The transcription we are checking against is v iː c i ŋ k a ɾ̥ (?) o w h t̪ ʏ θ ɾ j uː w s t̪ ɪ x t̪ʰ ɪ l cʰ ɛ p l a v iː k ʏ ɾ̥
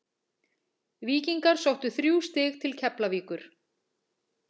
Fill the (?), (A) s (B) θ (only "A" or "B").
A